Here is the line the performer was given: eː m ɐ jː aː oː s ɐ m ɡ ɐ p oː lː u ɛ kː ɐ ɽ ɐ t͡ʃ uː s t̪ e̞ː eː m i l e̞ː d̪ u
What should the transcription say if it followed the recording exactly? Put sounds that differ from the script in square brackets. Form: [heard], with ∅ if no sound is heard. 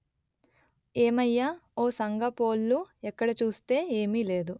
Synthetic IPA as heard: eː m ɐ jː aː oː s ɐ [ŋ] ɡ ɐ p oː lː u ɛ kː ɐ ɽ ɐ t͡ʃ uː s t̪ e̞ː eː m i l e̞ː d̪ u